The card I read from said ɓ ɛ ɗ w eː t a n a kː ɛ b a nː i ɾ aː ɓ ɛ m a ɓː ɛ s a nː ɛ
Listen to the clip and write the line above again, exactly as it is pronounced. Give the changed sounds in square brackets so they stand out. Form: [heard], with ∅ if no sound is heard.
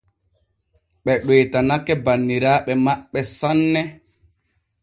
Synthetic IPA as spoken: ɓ ɛ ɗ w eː t a n a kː ɛ b a nː i ɾ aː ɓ ɛ m a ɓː ɛ s a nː ɛ